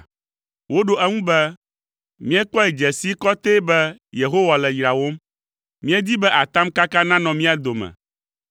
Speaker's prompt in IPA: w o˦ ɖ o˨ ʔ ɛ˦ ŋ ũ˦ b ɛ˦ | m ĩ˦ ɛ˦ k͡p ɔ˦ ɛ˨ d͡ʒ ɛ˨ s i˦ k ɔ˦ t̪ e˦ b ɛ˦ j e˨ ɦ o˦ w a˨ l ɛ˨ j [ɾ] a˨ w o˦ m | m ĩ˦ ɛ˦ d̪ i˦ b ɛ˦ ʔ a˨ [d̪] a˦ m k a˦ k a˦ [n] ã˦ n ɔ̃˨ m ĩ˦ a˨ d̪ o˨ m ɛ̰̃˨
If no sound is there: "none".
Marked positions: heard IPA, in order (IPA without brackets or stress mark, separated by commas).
ɾ, t̪, n